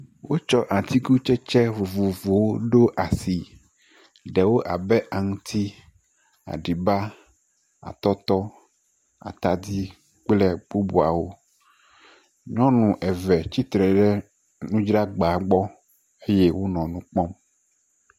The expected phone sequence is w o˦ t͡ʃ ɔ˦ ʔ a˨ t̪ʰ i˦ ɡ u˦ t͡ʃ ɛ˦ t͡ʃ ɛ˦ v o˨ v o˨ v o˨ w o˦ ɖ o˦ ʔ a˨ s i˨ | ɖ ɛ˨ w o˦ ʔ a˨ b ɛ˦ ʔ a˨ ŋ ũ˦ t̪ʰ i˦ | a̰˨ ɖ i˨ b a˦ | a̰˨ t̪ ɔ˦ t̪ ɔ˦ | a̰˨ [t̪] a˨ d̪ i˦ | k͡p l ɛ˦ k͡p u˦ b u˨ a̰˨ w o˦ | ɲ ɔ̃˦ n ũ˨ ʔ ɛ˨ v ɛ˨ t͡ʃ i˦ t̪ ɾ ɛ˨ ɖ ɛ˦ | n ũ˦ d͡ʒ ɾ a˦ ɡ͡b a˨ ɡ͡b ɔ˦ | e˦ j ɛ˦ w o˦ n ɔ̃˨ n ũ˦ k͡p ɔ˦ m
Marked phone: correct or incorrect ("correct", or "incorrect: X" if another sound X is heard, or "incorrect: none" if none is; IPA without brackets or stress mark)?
correct